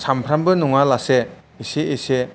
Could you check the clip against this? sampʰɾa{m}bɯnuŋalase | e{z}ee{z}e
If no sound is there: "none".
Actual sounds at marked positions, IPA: m, s, s

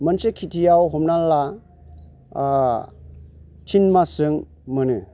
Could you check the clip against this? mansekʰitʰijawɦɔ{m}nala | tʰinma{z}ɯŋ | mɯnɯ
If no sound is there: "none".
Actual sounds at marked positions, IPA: m, s

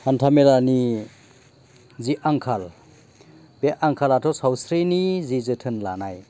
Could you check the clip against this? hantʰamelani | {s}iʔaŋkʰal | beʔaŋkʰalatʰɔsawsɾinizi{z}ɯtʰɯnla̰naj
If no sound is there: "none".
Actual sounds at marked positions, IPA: z, z

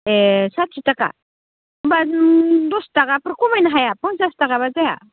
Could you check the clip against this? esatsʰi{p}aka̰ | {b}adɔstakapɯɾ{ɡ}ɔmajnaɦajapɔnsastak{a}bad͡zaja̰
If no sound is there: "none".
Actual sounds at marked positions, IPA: t, b, k, a

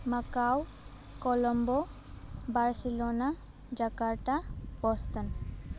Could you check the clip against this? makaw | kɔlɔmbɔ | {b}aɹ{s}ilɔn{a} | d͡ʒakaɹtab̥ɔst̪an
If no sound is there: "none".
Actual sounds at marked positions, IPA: b, s, a

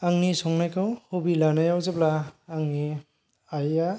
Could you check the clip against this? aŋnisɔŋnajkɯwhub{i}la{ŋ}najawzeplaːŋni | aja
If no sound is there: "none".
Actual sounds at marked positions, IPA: i, none

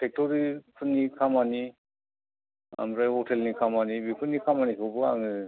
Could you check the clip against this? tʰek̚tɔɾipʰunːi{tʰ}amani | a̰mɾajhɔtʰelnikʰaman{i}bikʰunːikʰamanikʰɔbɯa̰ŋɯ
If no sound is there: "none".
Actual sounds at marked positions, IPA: kʰ, i

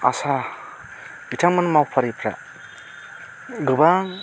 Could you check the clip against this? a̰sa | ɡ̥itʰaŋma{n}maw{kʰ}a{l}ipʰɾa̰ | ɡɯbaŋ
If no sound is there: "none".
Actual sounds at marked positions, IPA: n, pʰ, ɾ

